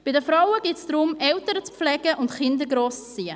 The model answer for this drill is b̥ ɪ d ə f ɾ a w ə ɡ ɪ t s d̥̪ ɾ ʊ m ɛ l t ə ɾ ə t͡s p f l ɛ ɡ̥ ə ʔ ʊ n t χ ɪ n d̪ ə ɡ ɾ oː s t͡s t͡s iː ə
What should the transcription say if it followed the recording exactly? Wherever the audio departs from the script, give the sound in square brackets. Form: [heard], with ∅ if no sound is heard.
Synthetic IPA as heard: b̥ ɪ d ə f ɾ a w ə ɡ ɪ t s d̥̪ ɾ ʊ m ɛ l t ə ɾ ə t͡s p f l ɛ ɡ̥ ə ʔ ʊ n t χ ɪ n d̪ ə ɡ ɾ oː s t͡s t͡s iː ə